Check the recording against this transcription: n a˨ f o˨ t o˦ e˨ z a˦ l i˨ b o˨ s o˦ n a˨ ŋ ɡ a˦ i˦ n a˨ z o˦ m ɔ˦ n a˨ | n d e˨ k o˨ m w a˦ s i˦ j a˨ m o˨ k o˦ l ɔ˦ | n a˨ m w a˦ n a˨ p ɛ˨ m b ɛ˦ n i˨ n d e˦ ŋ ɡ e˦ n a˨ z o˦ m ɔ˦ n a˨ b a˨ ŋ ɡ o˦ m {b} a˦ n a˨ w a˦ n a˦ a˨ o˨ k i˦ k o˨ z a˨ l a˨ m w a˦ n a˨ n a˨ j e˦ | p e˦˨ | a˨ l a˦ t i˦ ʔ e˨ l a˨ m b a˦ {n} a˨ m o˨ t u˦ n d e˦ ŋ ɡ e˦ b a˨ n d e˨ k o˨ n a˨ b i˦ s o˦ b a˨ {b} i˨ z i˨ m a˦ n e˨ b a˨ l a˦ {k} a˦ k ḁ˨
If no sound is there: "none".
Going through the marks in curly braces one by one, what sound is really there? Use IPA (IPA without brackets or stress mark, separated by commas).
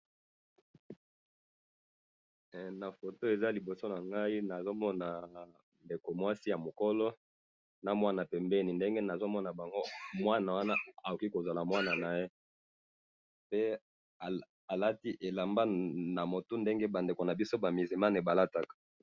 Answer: w, n, m, t